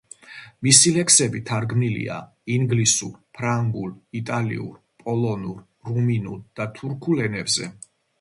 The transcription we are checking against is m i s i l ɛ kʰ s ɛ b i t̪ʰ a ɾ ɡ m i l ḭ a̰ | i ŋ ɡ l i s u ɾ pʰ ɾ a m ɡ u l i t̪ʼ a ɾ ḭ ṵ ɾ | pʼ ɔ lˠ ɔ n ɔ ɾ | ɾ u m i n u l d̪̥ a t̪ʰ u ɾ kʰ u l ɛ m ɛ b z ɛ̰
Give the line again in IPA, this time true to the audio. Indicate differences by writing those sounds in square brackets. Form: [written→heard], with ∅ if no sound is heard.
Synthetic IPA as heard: m i s i l ɛ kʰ s ɛ b i t̪ʰ a ɾ ɡ m i l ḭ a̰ | i ŋ ɡ l i s u ɾ pʰ ɾ a [m→ŋ] ɡ u l i t̪ʼ a [ɾ→l] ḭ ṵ ɾ | pʼ ɔ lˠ ɔ n [ɔ→u] ɾ | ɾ u m i n u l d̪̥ a t̪ʰ u ɾ kʰ u l ɛ [m→n] ɛ b z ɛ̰

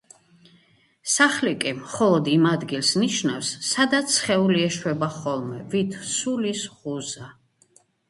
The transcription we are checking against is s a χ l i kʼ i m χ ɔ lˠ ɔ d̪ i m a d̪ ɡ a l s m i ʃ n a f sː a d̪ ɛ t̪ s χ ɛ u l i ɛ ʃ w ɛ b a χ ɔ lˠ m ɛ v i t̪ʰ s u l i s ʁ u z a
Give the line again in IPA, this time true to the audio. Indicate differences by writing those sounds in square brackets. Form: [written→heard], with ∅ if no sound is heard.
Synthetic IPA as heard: s a χ l i kʼ i m χ ɔ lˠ ɔ d̪ i m a d̪ ɡ [a→i] l s [m→n] i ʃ n a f sː a d̪ [ɛ→a] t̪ s χ ɛ u l i ɛ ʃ w ɛ b a χ ɔ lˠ m ɛ v i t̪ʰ s u l i s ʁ u z a

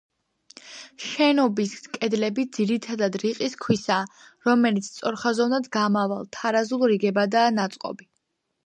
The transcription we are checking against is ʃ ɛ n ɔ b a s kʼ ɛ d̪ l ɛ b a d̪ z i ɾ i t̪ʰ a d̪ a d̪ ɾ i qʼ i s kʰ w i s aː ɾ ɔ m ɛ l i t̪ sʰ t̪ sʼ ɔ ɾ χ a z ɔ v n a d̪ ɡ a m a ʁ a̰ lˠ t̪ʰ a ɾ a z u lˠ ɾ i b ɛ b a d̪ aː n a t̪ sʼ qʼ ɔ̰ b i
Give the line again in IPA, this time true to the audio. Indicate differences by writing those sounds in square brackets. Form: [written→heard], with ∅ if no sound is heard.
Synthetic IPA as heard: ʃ ɛ n ɔ b [a→i] s kʼ ɛ d̪ l ɛ b [a→i] d̪ z i ɾ i t̪ʰ a d̪ a d̪ ɾ i qʼ i s kʰ w i s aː ɾ ɔ m ɛ l i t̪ sʰ t̪ sʼ ɔ ɾ χ a z ɔ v n a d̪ ɡ a m a [ʁ→v] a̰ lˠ t̪ʰ a ɾ a z u lˠ ɾ i [b→ɡ] ɛ b a d̪ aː n a t̪ sʼ qʼ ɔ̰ b i

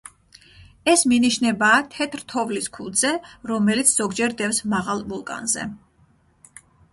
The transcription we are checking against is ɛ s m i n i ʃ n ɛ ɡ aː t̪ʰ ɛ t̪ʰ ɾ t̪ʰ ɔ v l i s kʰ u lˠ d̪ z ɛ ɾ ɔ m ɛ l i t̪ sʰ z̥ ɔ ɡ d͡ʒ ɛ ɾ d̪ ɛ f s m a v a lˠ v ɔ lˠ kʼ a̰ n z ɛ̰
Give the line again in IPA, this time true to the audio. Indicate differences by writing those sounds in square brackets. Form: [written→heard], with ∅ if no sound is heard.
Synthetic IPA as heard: ɛ s m i n i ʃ n ɛ [ɡ→b] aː t̪ʰ ɛ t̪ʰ ɾ t̪ʰ ɔ v l i s kʰ u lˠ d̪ z ɛ ɾ ɔ m ɛ l i t̪ sʰ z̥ ɔ ɡ d͡ʒ ɛ ɾ d̪ ɛ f s m a [v→ʁ] a lˠ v [ɔ→u] lˠ kʼ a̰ n z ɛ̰

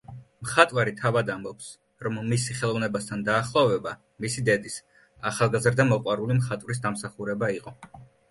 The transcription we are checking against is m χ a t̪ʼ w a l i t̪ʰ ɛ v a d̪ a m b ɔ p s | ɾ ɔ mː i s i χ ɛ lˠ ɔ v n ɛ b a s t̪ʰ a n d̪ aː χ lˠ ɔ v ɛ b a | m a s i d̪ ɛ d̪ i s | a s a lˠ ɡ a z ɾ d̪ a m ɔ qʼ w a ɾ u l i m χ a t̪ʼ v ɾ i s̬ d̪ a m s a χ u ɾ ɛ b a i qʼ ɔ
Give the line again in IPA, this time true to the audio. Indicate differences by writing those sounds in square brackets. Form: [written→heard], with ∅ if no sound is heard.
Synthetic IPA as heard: m χ a t̪ʼ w a [l→ɾ] i t̪ʰ [ɛ→a] v a d̪ a m b ɔ p s | ɾ ɔ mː i s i χ ɛ lˠ ɔ v n ɛ b a s t̪ʰ a n d̪ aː χ lˠ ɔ v ɛ b a | m [a→i] s i d̪ ɛ d̪ i s | a [s→χ] a lˠ ɡ a z ɾ d̪ a m ɔ qʼ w a ɾ u l i m χ a t̪ʼ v ɾ i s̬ d̪ a m s a χ u ɾ ɛ b a i qʼ ɔ

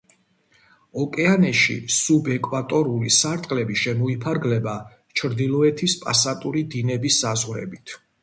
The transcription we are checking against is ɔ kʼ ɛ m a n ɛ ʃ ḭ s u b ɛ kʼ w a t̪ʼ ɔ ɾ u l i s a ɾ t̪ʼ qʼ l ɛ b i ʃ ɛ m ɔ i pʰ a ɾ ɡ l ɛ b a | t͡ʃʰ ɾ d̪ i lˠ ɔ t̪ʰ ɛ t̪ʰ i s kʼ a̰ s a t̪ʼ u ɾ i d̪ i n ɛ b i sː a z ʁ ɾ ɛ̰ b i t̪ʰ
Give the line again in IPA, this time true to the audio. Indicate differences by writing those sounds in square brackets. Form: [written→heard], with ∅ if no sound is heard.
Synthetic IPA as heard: ɔ kʼ ɛ [m→∅] a n ɛ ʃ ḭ s u b ɛ kʼ w a t̪ʼ ɔ ɾ u l i s a ɾ t̪ʼ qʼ l ɛ b i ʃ ɛ m ɔ i pʰ a ɾ ɡ l ɛ b a | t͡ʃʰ ɾ d̪ i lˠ ɔ [t̪ʰ→∅] ɛ t̪ʰ i s [kʼ→pʼ] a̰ s a t̪ʼ u ɾ i d̪ i n ɛ b i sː a z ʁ ɾ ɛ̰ b i t̪ʰ

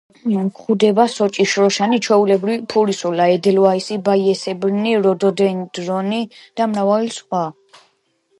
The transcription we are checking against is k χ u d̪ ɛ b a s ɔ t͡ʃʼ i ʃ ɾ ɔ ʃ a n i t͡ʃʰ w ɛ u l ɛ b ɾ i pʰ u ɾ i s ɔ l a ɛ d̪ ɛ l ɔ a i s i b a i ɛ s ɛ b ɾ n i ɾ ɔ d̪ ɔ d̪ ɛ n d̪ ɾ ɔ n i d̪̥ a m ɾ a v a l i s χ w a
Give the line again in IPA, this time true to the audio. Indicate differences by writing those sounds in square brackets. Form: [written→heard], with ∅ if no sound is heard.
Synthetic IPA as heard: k χ u d̪ ɛ b a s ɔ t͡ʃʼ i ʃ ɾ ɔ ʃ a n i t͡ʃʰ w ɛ u l ɛ b ɾ i pʰ u ɾ i s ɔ l a ɛ d̪ ɛ l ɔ a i s i b a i ɛ s ɛ b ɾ n i ɾ ɔ d̪ ɔ d̪ ɛ n d̪ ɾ ɔ n i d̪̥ a m ɾ a v a l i s χ w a

